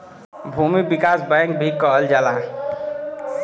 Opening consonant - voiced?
yes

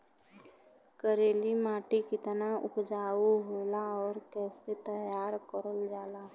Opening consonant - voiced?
no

